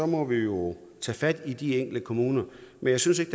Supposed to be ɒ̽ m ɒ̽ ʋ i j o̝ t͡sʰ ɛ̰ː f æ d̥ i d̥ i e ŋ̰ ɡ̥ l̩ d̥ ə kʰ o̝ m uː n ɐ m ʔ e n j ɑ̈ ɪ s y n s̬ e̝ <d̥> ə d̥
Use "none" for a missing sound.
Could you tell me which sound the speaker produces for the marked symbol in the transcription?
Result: ɡ̥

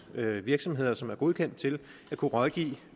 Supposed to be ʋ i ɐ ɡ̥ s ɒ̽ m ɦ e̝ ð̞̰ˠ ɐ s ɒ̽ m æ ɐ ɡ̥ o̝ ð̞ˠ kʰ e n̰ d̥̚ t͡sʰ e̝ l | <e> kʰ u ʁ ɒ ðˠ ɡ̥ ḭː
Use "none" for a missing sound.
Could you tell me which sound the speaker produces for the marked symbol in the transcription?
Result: æ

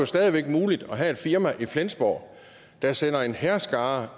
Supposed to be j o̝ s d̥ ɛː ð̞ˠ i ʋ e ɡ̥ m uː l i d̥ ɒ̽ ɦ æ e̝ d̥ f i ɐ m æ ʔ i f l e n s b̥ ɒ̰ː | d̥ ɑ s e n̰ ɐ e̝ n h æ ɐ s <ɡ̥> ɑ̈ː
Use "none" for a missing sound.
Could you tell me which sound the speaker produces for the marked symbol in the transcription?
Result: ɡ̥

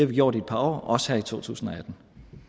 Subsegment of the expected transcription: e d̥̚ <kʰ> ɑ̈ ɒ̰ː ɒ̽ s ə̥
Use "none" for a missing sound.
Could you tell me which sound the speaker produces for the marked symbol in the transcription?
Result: pʰ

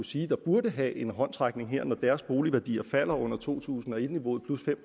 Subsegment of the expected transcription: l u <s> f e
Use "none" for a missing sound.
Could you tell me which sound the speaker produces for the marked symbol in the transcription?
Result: s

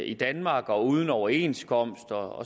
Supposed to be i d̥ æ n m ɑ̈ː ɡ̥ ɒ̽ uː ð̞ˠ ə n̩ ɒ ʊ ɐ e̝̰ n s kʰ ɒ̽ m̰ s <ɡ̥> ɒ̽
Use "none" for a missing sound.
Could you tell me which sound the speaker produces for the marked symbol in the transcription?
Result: d̥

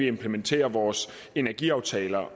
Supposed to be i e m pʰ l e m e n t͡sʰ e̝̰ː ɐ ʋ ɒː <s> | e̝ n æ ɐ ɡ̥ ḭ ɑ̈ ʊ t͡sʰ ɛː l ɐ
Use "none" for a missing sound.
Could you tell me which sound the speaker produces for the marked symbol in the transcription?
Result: s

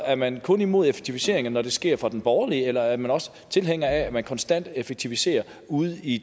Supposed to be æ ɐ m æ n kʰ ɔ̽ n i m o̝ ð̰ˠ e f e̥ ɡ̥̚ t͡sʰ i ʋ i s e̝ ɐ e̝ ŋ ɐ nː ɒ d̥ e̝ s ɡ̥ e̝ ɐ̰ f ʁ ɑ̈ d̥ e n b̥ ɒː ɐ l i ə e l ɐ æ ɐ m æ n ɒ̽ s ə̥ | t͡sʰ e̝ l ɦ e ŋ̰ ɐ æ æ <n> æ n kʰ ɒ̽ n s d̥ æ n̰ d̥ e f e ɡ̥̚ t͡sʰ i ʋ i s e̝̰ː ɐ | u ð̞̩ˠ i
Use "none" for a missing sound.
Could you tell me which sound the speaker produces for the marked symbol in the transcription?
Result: m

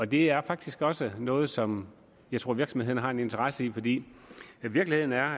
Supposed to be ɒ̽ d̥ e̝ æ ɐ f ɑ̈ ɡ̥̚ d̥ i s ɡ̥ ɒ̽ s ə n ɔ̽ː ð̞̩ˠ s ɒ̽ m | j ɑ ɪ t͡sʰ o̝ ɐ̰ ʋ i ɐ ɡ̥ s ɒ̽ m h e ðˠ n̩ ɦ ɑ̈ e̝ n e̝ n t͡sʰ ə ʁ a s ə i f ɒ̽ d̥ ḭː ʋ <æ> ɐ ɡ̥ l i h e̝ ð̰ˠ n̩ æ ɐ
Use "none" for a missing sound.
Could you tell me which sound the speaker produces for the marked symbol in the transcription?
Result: i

